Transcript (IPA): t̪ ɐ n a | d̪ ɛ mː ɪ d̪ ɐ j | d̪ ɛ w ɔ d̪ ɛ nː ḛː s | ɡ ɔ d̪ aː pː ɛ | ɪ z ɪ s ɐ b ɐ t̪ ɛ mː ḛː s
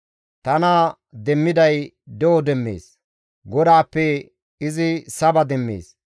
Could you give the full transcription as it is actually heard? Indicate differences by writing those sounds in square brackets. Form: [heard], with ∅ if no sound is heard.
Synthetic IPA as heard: t̪ ɐ n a | d̪ ɛ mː ɪ d̪ ɐ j | d̪ ɛ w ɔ d̪ ɛ [mː] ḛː s | ɡ ɔ d̪ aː pː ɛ | ɪ z ɪ s ɐ b ɐ [d̪] ɛ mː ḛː s